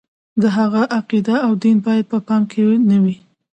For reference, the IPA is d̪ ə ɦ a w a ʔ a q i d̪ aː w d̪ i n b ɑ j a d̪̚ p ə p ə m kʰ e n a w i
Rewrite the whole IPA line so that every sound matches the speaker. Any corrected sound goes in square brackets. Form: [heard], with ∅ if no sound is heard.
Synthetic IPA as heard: d̪ ə ɦ a [ɣ] a ʔ a q i d̪ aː w d̪ i n b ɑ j a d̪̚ p ə p [ɑ] m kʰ e n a w i